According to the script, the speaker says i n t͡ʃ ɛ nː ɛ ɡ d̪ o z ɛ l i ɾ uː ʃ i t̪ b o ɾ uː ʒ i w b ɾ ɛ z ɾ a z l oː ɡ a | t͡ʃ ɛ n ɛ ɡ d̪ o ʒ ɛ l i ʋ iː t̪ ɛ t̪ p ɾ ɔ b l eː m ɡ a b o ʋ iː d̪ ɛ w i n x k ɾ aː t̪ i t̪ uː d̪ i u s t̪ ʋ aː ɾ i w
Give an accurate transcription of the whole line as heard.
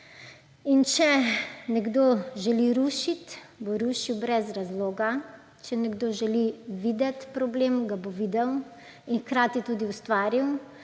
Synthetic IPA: i n t͡ʃ ɛ n ɛ ɡ d̪ o ʒ ɛ l i ɾ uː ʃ i t̪ b o ɾ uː ʃ i w b ɾ ɛ z ɾ a z l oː ɡ a | t͡ʃ ɛ n ɛ ɡ d̪ o ʒ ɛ l i ʋ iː d̪ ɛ t̪ p ɾ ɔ b l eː m ɡ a b o ʋ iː d̪ ɛ w i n x k ɾ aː t̪ i t̪ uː d̪ i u s t̪ ʋ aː ɾ i w